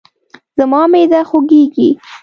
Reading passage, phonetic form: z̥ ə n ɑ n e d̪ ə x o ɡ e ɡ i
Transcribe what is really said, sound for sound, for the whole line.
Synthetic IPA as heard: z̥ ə m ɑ m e d̪ a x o ɡ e ɡ i